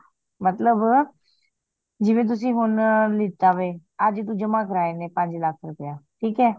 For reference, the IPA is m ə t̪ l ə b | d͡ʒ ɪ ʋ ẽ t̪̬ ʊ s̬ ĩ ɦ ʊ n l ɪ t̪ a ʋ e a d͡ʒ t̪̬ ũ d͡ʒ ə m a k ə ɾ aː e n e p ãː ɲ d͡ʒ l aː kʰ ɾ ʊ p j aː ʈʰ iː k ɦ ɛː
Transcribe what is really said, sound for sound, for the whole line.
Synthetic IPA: m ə t̪ l ə b | d͡ʒ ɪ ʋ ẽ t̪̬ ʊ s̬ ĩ ɦ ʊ n l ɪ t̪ a ʋ e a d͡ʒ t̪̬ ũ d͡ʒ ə m a k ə ɾ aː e n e p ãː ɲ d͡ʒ l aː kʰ ɾ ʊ p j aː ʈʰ iː k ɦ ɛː